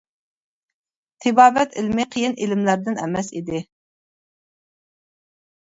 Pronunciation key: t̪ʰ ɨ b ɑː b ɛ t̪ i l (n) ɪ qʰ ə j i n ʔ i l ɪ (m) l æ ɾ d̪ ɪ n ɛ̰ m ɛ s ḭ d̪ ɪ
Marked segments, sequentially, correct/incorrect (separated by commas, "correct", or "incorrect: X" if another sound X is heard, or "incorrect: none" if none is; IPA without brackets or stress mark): incorrect: m, correct